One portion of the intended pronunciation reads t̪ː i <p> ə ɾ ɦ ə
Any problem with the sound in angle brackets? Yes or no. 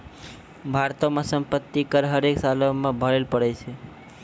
yes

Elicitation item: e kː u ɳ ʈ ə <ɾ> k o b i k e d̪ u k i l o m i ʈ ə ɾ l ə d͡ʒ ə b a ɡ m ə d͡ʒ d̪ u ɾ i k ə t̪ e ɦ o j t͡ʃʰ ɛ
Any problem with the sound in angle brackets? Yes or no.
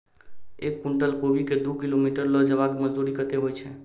yes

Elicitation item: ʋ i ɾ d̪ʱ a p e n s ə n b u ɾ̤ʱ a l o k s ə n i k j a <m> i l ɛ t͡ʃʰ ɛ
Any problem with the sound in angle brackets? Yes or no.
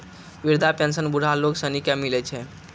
no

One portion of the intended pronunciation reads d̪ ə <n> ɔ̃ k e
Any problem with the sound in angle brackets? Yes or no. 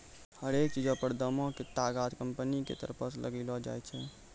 yes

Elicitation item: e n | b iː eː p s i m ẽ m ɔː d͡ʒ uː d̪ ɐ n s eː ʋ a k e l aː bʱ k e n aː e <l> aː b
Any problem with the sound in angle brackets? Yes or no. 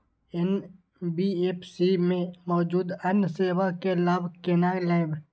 no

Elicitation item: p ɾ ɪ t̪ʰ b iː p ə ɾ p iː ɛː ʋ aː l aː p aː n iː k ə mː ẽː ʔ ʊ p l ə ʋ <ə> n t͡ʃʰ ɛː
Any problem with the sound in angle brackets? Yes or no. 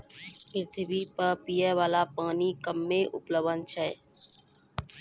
no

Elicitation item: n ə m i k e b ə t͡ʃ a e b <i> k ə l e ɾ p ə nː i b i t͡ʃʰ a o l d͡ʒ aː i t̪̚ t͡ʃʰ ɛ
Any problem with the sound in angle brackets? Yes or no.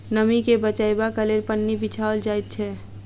yes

